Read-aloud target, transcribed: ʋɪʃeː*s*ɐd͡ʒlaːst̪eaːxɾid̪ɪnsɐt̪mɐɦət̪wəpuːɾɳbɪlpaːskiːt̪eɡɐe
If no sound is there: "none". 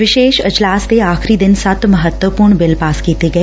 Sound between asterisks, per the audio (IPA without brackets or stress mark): ʃ